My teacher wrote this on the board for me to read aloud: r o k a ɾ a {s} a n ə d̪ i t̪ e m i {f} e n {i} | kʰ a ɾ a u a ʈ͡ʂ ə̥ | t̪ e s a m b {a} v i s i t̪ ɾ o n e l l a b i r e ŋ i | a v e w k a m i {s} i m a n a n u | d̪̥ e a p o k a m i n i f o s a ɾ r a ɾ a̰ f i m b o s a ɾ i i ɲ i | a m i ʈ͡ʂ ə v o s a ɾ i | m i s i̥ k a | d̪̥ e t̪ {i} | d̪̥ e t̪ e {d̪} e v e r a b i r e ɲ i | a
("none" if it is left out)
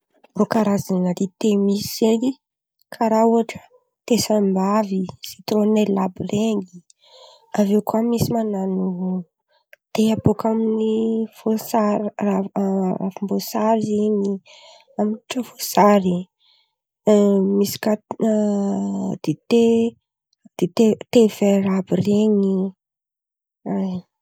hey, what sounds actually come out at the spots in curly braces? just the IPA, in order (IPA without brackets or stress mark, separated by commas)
z, s, i, a, s, e, t̪